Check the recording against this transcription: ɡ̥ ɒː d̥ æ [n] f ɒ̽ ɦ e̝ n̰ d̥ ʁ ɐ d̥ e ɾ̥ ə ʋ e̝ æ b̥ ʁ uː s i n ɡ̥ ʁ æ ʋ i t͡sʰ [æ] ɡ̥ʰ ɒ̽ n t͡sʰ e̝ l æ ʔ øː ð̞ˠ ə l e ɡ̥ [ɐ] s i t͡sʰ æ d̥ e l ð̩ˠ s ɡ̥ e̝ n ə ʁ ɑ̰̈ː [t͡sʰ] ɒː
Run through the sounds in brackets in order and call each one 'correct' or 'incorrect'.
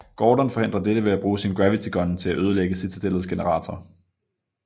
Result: correct, incorrect: i, incorrect: ə, correct

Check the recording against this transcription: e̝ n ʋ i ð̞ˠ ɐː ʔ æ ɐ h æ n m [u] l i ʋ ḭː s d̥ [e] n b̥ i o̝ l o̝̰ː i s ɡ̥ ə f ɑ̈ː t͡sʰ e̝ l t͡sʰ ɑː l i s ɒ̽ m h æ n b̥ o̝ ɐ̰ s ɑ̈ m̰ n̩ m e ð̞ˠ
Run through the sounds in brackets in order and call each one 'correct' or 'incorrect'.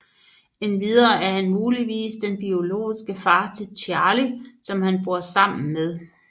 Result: incorrect: uː, correct

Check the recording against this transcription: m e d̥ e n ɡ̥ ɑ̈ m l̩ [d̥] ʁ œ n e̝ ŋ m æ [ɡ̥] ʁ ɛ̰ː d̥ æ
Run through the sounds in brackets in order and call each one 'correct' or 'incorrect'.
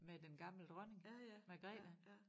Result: correct, correct

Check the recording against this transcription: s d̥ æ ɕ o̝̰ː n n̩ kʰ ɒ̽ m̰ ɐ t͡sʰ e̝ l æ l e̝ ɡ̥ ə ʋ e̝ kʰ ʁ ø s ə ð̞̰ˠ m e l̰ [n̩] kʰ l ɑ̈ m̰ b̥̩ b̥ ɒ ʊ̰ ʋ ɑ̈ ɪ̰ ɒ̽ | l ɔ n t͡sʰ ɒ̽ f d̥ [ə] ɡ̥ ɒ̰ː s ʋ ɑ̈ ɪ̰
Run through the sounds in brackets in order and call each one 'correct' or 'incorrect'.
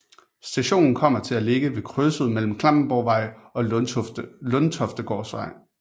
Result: incorrect: m̩, correct

